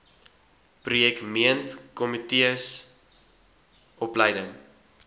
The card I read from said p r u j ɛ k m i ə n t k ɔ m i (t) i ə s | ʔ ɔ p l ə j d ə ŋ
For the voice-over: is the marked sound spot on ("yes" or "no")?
yes